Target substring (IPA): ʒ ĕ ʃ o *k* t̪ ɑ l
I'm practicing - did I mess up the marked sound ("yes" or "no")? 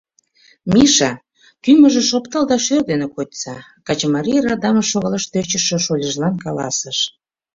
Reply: yes